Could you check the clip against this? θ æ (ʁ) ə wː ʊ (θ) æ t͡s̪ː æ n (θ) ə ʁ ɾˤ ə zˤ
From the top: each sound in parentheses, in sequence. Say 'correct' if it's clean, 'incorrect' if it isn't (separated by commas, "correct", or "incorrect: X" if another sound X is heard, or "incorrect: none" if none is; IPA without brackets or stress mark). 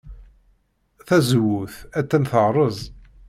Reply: incorrect: z, correct, correct